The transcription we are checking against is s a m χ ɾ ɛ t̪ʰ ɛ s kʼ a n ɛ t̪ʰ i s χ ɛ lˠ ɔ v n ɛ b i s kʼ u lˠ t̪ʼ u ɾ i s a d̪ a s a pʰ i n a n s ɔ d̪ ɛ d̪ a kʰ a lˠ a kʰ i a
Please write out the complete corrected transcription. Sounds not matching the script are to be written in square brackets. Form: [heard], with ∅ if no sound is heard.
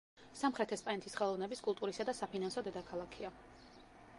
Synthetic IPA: s a m χ ɾ ɛ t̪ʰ ɛ s [pʼ] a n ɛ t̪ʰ i s χ ɛ lˠ ɔ v n ɛ b i s kʼ u lˠ t̪ʼ u ɾ i s a d̪ a s a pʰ i n a n s ɔ d̪ ɛ d̪ a kʰ a lˠ a kʰ i a